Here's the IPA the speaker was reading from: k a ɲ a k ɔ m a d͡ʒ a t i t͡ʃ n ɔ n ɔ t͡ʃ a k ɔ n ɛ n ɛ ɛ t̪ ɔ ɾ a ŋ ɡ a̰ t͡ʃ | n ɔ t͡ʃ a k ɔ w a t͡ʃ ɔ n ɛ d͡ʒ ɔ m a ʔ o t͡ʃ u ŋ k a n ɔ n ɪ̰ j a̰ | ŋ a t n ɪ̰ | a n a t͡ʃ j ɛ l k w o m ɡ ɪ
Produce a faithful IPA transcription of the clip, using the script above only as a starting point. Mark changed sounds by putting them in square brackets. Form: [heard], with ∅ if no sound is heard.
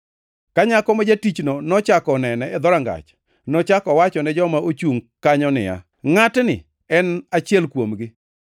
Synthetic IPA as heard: k a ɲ a k ɔ m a d͡ʒ a t i t͡ʃ n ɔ n ɔ t͡ʃ a k ɔ n ɛ n ɛ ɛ [d̪] ɔ ɾ a ŋ ɡ a̰ t͡ʃ | n ɔ t͡ʃ a k ɔ w a t͡ʃ ɔ n ɛ d͡ʒ ɔ m a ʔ o t͡ʃ u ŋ k a [ɲ] ɔ n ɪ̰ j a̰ | ŋ a t n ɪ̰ | [ɛ] n a t͡ʃ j ɛ l k w o m ɡ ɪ

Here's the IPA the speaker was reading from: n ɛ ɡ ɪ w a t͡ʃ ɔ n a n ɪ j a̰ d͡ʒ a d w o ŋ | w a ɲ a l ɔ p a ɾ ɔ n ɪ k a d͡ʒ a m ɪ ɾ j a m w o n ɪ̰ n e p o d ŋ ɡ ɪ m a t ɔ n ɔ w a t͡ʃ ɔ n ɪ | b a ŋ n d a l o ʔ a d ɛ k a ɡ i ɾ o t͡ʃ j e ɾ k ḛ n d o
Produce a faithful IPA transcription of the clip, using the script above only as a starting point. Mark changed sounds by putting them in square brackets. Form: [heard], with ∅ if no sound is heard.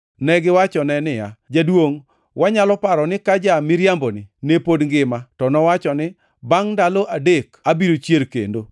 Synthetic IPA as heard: n ɛ ɡ ɪ w a t͡ʃ ɔ n [ɛ] n ɪ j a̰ d͡ʒ a d w o ŋ | w a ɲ a l ɔ p a ɾ ɔ n ɪ k a d͡ʒ a m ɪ ɾ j a m [b] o n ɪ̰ n e p o d ŋ ɡ ɪ m a t ɔ n ɔ w a t͡ʃ ɔ n ɪ | b a ŋ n d a l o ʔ a d [e] k a [b] i ɾ o t͡ʃ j e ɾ k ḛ n d o

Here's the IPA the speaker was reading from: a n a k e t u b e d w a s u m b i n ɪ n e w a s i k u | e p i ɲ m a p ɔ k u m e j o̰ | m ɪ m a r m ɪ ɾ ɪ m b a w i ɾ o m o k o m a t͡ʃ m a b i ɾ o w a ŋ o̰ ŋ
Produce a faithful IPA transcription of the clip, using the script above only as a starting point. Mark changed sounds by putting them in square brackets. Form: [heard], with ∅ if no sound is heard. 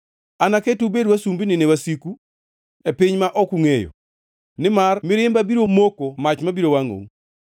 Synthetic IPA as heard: a n a k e t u b e d w a s u m b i n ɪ n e w a s i k u | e p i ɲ m a [ʔ] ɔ k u [ŋ] e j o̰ | [n] ɪ m a r m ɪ ɾ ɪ m b a [b] i ɾ o m o k o m a t͡ʃ m a b i ɾ o w a ŋ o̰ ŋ

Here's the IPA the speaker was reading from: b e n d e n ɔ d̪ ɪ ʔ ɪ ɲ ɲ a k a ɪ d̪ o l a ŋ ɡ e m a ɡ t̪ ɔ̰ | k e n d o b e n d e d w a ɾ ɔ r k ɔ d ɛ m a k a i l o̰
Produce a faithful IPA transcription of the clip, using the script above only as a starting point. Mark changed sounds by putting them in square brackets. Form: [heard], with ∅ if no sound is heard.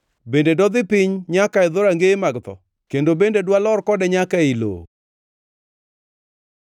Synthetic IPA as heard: b e n d e [d] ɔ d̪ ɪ [p] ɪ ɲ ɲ a k a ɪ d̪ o [ɾ] a ŋ ɡ e m a ɡ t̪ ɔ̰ | k e n d o b e n d e d w a [l] ɔ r k ɔ d ɛ [ɲ] a k a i l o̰

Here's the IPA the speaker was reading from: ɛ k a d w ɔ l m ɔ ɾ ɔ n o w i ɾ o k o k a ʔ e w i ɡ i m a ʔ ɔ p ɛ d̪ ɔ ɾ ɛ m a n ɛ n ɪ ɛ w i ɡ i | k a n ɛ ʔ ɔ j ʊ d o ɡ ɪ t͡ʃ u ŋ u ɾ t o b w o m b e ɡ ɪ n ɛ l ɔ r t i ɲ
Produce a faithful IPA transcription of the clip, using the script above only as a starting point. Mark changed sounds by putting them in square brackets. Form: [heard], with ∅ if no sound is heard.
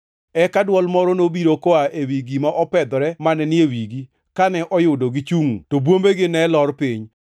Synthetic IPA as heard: ɛ k a d w ɔ l m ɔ ɾ ɔ n o [b] i ɾ o k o [∅] a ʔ e w i ɡ i m a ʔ ɔ p ɛ d̪ ɔ ɾ ɛ m a n ɛ n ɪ [e] w i ɡ i | k a n ɛ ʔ ɔ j ʊ d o ɡ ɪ t͡ʃ u ŋ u [∅] t o b w o m b e ɡ ɪ n ɛ l ɔ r [p] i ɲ

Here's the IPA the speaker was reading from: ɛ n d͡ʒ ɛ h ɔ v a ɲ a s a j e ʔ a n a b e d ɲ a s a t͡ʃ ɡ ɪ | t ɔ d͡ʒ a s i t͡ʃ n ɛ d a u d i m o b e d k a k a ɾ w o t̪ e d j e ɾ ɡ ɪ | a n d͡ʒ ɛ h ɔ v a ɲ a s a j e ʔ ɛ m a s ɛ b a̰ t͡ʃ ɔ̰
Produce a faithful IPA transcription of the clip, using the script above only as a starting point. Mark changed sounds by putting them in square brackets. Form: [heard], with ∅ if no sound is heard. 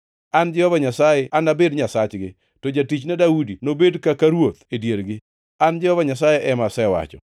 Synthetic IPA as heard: [a] n d͡ʒ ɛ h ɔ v a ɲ a s a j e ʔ a n a b e d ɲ a s a t͡ʃ ɡ ɪ | t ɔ d͡ʒ a [t] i t͡ʃ n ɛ d a u d i [n] o b e d k a k a ɾ w o t̪ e d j e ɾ ɡ ɪ | a n d͡ʒ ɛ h ɔ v a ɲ a s a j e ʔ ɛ m a s ɛ [w] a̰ t͡ʃ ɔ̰

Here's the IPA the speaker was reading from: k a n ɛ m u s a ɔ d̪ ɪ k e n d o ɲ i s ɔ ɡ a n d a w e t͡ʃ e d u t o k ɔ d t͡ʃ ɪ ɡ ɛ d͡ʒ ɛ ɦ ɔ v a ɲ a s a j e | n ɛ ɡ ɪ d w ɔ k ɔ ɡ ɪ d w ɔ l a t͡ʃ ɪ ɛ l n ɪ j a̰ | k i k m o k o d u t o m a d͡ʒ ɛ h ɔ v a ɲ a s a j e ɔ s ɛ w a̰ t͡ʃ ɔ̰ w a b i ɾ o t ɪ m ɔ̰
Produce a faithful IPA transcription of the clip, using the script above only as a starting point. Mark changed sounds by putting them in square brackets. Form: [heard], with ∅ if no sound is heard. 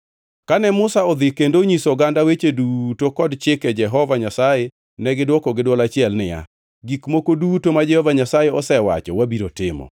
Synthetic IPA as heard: k a n ɛ m [ʊ] s a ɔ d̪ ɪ k e n d o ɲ i s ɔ ɡ a n d a w e t͡ʃ e d u t o k ɔ d t͡ʃ ɪ [k] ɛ d͡ʒ ɛ ɦ ɔ v a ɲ a s a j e | n ɛ ɡ ɪ d w ɔ k ɔ ɡ ɪ d w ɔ l a t͡ʃ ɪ ɛ l n ɪ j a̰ | [ɡ] i k m o k o d u t o m a d͡ʒ ɛ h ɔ v a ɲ a s a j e ɔ s ɛ w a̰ t͡ʃ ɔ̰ w a b i ɾ o t ɪ m ɔ̰

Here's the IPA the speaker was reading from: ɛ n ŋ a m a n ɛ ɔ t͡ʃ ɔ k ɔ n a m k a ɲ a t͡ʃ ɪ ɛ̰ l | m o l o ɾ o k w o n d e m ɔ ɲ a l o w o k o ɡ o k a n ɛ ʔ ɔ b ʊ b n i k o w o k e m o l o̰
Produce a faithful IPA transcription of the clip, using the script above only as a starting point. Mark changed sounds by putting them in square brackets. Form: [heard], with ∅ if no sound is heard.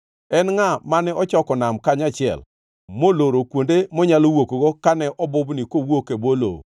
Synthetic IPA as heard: ɛ n ŋ a m a n ɛ ɔ t͡ʃ ɔ k ɔ n a m k a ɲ a t͡ʃ ɪ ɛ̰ l | m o l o ɾ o k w o n d e m ɔ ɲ a l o w o k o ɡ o k a n ɛ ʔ ɔ b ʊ b n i k o w o k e [b] o l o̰

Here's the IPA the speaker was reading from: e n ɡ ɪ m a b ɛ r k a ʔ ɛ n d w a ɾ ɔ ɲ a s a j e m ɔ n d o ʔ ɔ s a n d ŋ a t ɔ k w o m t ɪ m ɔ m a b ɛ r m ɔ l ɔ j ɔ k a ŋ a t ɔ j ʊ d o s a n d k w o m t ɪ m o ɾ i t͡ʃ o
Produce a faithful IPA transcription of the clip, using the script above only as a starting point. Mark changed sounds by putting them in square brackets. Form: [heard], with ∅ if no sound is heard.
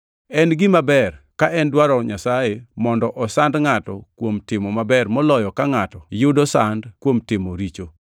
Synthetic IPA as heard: [ɛ] n ɡ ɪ m a b ɛ r k a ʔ ɛ n d w a ɾ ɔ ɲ a s a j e m ɔ n d [ɔ] ʔ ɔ s a n d ŋ a t ɔ k w o m t ɪ m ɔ m a b ɛ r m ɔ l ɔ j ɔ k a ŋ a t ɔ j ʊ d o s a n d k w o m t ɪ m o ɾ i t͡ʃ o

